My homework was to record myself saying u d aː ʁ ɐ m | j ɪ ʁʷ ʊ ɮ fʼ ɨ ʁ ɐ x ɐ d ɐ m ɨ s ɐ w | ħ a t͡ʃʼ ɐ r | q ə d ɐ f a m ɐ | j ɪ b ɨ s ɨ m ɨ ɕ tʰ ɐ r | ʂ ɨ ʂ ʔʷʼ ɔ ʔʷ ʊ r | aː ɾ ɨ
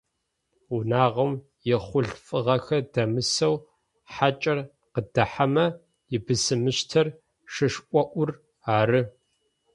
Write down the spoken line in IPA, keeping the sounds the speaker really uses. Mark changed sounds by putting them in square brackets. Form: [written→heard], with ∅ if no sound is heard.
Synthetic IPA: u [d→n] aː ʁ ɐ m | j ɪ [ʁʷ→χʷ] ʊ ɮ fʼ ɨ ʁ ɐ x ɐ d ɐ m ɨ s ɐ w | ħ a t͡ʃʼ ɐ r | q ə d ɐ [f→ħ] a m ɐ | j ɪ b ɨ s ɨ m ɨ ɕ tʰ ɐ r | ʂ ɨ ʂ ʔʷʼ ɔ ʔʷ ʊ r | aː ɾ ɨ